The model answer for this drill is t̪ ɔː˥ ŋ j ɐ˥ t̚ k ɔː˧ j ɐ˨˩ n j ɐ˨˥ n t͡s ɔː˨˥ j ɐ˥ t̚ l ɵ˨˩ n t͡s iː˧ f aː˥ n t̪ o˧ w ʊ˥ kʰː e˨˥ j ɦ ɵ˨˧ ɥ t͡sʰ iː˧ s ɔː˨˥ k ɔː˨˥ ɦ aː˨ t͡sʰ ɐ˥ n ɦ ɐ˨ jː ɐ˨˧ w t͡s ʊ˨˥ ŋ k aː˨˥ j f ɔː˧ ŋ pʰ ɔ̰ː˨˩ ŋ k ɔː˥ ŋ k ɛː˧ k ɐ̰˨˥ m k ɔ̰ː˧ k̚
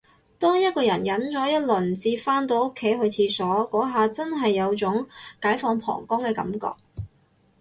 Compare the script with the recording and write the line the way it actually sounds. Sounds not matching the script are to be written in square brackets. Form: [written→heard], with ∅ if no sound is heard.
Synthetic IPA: t̪ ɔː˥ ŋ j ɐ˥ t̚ k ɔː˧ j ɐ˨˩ n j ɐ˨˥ n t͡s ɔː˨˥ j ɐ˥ t̚ l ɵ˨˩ n t͡s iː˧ f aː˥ n t̪ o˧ w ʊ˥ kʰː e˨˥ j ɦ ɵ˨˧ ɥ t͡sʰ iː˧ s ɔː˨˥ k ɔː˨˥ ɦ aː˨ [t͡sʰ→t͡s] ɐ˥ n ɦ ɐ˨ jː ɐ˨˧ w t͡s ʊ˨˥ ŋ k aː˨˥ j f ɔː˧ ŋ pʰ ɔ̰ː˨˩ ŋ k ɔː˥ ŋ k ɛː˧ k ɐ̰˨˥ m k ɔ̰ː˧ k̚